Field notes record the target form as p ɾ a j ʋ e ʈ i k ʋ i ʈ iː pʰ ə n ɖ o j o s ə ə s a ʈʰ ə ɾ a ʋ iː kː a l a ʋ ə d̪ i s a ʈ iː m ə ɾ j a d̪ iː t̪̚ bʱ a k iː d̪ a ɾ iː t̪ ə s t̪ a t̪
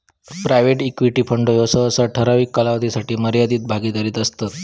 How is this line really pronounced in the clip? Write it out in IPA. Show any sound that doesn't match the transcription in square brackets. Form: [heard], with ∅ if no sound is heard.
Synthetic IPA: p ɾ a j ʋ e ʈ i k ʋ i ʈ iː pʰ ə [ɳ] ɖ o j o s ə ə s a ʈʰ ə ɾ a ʋ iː kː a l a ʋ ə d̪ i s a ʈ iː m ə ɾ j a d̪ iː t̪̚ bʱ a [ɡ] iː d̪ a ɾ iː t̪ ə s t̪ a t̪